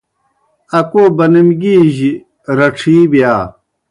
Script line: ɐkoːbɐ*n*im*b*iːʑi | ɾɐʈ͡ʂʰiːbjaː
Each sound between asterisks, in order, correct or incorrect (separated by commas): correct, incorrect